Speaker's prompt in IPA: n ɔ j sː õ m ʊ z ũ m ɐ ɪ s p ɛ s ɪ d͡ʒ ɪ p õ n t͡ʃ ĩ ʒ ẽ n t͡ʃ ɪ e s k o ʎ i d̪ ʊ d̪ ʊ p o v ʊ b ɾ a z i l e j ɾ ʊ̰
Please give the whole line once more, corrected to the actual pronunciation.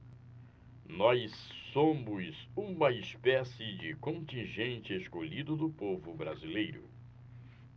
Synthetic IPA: n ɔ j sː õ m ʊ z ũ m ɐ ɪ s p ɛ s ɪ d͡ʒ ɪ k õ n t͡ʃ ĩ ʒ ẽ n t͡ʃ ɪ e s k o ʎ i d̪ ʊ d̪ ʊ p o v ʊ b ɾ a z i l e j ɾ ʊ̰

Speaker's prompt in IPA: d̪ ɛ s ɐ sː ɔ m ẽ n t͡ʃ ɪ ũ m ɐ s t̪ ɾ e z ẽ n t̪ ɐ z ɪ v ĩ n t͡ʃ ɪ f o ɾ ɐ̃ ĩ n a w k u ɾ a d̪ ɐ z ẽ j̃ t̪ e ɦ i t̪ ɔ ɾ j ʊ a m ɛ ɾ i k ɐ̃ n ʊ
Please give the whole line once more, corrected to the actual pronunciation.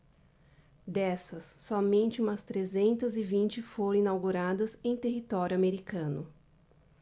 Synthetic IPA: d̪ ɛ s ɐ sː ɔ m ẽ n t͡ʃ ɪ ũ m ɐ s t̪ ɾ e z ẽ n t̪ ɐ z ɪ v ĩ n t͡ʃ ɪ f o ɾ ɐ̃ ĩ n a w ɡ u ɾ a d̪ ɐ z ẽ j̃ t̪ e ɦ i t̪ ɔ ɾ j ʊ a m e ɾ i k ɐ̃ n ʊ

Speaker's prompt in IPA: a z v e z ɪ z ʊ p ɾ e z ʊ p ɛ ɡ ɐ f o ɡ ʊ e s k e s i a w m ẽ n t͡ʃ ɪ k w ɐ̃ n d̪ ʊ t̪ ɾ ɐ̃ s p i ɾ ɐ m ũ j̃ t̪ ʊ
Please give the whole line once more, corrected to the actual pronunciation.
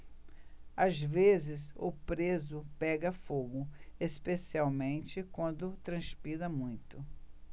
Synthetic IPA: a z v e z ɪ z ʊ p ɾ e z ʊ p ɛ ɡ ɐ f o ɡ ʊ e s p e s i a w m ẽ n t͡ʃ ɪ k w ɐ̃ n d̪ ʊ t̪ ɾ ɐ̃ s p i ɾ ɐ m ũ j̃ t̪ ʊ

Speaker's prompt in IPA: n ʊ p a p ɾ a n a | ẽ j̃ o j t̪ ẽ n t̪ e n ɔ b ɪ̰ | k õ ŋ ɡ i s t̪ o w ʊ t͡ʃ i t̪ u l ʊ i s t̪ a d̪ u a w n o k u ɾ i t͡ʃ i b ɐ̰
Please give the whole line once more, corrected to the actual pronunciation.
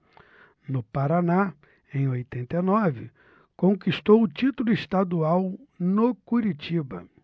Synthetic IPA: n ʊ p a ɾ a n a | ẽ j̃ o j t̪ ẽ n t̪ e n ɔ v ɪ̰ | k õ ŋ k i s t̪ o w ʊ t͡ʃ i t̪ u l ʊ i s t̪ a d̪ u a w n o k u ɾ i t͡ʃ i b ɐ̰

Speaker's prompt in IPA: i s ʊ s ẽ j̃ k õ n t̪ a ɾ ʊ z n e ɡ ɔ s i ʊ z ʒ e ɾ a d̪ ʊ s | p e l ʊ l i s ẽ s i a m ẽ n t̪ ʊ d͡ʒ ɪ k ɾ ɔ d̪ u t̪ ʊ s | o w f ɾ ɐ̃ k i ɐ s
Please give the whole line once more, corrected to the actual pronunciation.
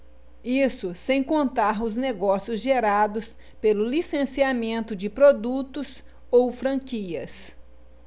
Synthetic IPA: i s ʊ s ẽ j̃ k õ n t̪ a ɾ ʊ z n e ɡ ɔ s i ʊ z ʒ e ɾ a d̪ ʊ s | p e l ʊ l i s ẽ s i a m ẽ n t̪ ʊ d͡ʒ ɪ p ɾ o d̪ u t̪ ʊ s | o w f ɾ ɐ̃ k i ɐ s

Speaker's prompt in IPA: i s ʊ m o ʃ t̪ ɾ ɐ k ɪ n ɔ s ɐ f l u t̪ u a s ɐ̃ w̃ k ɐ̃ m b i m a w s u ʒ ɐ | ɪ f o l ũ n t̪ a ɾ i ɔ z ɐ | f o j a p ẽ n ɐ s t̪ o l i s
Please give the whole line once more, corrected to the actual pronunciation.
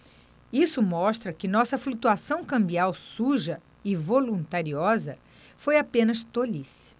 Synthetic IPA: i s ʊ m ɔ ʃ t̪ ɾ ɐ k ɪ n ɔ s ɐ f l u t̪ u a s ɐ̃ w̃ k ɐ̃ m b i a w s u ʒ ɐ | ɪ v o l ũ n t̪ a ɾ i ɔ z ɐ | f o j a p ẽ n ɐ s t̪ o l i s

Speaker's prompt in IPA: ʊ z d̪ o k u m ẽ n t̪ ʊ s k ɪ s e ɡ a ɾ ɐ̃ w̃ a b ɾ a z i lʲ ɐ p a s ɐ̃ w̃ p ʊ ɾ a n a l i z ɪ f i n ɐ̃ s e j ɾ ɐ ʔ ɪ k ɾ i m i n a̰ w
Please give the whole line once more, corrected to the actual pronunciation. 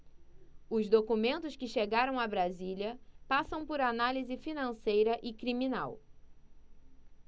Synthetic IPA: ʊ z d̪ o k u m ẽ n t̪ ʊ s k ɪ ʃ e ɡ a ɾ ɐ̃ w̃ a b ɾ a z i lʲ ɐ p a s ɐ̃ w̃ p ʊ ɾ a n a l i z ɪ f i n ɐ̃ s e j ɾ ɐ ʔ ɪ k ɾ i m i n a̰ w

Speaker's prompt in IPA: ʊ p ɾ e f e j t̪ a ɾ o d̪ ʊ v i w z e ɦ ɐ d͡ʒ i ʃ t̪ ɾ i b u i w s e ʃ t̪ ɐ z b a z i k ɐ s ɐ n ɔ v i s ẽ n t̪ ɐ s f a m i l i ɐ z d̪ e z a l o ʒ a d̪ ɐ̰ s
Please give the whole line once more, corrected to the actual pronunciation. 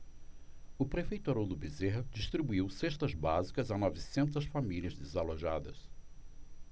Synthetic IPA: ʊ p ɾ e f e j t̪ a ɾ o d̪ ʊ b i z e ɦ ɐ d͡ʒ i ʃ t̪ ɾ i b u i w s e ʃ t̪ ɐ z b a z i k ɐ z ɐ n ɔ v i s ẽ n t̪ ɐ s f a m i l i ɐ z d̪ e z a l o ʒ a d̪ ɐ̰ s

